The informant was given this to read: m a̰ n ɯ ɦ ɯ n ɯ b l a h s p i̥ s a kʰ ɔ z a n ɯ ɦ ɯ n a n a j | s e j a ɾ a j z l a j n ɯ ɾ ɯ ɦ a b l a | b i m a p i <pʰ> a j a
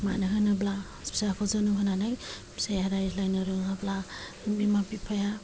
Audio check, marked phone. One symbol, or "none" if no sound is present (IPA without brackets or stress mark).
pʰ